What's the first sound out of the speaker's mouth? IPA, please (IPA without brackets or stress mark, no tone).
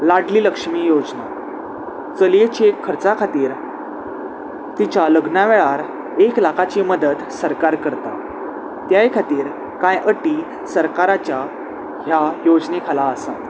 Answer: l